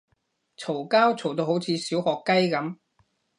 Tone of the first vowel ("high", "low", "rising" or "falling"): low